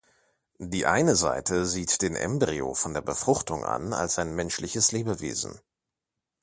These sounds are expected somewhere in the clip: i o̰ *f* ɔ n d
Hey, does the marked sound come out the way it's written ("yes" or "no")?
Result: yes